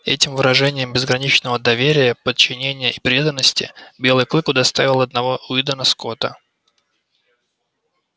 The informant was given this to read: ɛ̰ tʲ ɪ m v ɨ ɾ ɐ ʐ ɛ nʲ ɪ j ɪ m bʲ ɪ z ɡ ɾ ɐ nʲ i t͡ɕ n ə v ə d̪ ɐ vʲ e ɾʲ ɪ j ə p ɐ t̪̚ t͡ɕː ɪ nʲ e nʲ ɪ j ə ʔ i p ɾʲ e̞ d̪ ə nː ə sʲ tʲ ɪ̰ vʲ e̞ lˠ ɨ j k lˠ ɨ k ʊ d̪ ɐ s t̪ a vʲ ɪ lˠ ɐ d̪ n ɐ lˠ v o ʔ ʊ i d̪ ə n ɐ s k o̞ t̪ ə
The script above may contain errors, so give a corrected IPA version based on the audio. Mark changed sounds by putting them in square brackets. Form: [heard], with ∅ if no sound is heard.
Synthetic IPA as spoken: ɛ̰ tʲ ɪ m v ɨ ɾ ɐ ʐ ɛ nʲ ɪ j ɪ m bʲ ɪ z ɡ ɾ ɐ nʲ i t͡ɕ n ə v ə d̪ ɐ vʲ e ɾʲ ɪ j ə p [ə] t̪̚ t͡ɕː ɪ nʲ e nʲ ɪ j ə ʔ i p ɾʲ e̞ d̪ ə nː ə sʲ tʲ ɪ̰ [bʲ] e̞ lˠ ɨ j k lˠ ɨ k ʊ d̪ ɐ s t̪ a vʲ ɪ lˠ ɐ d̪ n ɐ [∅] v o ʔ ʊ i d̪ ə n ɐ s k o̞ t̪ ə